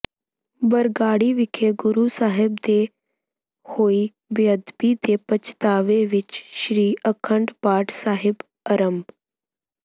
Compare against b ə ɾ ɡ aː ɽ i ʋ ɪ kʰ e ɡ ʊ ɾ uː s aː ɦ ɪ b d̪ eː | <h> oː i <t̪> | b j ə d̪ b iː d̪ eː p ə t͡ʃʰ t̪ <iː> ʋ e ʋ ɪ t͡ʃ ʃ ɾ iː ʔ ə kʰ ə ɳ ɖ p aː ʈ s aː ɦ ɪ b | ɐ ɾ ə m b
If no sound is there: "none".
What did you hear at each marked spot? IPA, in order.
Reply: h, none, aː

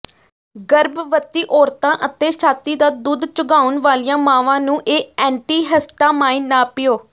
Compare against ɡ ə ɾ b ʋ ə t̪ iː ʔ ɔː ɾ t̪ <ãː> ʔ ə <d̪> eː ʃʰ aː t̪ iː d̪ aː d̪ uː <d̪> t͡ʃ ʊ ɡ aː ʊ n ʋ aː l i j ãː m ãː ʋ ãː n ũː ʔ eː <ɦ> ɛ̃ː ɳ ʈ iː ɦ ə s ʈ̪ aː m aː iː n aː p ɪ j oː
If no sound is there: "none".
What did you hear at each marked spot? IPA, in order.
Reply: ãː, t̪, d̪, none

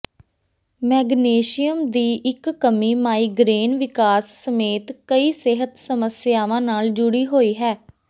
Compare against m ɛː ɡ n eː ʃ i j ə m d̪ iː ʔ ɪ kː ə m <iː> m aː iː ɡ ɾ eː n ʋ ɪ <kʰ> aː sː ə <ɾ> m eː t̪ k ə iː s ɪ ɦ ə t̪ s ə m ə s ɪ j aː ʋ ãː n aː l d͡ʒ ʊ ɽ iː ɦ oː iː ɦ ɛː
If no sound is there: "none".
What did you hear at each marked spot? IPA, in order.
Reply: iː, k, none

